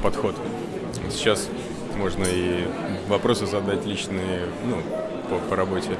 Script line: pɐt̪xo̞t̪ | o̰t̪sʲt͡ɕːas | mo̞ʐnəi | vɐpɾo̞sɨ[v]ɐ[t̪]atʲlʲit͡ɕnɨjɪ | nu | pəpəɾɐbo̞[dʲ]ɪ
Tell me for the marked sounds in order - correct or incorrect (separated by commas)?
incorrect, incorrect, incorrect